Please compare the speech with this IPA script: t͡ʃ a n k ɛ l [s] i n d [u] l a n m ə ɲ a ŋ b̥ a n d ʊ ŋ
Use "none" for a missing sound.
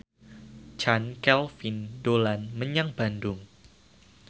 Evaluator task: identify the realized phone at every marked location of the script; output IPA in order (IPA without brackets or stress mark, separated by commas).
f, o